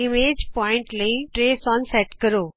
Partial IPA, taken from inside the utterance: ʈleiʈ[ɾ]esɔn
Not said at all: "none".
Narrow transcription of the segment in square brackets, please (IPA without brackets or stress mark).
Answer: ɾ